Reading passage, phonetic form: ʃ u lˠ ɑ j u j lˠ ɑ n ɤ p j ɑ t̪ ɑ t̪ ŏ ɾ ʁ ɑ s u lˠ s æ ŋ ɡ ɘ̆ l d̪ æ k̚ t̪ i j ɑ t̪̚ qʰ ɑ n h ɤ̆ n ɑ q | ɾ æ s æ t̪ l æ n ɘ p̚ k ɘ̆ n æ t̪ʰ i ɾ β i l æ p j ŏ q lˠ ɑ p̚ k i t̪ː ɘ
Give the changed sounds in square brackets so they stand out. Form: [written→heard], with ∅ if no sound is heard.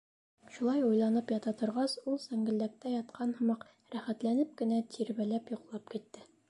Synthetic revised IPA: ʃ u lˠ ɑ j u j lˠ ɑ n ɤ p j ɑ t̪ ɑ t̪ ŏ ɾ ʁ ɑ s u lˠ s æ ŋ ɡ ɘ̆ l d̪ æ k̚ t̪ [i→æ] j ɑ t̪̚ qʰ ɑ n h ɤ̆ [n→m] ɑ q | ɾ æ [s→χ] æ t̪ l æ n ɘ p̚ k ɘ̆ n æ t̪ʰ i ɾ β [i→æ] l æ p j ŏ q lˠ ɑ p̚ k i t̪ː ɘ